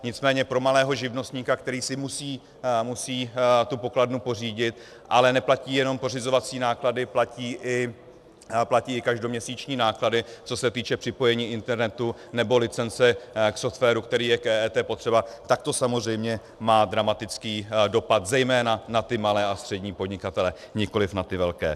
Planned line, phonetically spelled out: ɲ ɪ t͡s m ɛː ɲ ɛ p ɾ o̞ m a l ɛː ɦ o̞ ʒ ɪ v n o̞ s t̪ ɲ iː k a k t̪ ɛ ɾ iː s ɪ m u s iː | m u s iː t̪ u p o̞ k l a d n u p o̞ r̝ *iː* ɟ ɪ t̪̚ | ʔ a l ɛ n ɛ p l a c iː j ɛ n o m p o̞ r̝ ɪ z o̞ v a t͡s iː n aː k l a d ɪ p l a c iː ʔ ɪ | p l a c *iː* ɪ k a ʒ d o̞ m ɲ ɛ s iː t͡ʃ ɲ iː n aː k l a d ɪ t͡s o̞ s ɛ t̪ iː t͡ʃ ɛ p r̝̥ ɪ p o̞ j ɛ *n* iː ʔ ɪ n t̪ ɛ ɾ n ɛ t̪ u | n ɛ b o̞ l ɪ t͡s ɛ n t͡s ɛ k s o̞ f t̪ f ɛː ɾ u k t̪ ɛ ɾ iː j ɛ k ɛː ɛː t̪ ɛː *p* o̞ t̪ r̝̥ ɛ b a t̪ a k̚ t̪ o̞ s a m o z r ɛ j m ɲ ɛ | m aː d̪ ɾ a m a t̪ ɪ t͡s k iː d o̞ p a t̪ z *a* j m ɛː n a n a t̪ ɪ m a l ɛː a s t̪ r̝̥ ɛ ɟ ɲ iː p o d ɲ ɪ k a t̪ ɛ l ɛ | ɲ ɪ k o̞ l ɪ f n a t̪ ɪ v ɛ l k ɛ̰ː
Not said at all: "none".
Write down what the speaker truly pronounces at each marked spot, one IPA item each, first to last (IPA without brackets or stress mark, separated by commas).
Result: iː, iː, ɲ, p, ɛ